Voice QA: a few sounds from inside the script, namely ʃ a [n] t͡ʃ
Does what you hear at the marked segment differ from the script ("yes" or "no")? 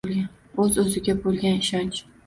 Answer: no